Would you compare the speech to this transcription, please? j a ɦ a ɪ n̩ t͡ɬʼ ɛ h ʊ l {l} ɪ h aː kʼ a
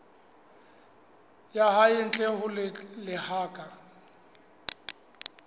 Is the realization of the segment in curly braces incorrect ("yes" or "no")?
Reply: no